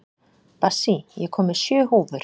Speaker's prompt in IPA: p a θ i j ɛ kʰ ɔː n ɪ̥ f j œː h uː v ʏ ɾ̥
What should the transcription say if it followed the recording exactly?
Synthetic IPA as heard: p a s i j ɛ kʰ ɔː m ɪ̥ s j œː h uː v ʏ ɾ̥